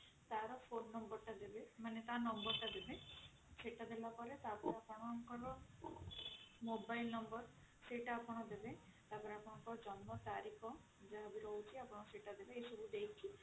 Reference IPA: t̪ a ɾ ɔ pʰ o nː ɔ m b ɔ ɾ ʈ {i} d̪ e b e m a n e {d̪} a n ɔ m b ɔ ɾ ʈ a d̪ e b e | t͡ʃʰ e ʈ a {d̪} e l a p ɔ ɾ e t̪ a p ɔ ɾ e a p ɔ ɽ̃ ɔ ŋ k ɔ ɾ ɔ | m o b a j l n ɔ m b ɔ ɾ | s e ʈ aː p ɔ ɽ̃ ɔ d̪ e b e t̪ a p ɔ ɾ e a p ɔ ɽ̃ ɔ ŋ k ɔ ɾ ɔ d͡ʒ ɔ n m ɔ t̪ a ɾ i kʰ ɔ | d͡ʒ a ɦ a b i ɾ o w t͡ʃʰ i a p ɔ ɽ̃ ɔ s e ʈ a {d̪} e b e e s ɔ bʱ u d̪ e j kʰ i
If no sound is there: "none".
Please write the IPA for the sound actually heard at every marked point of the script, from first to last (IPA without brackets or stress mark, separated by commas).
a, t̪, d̪, d̪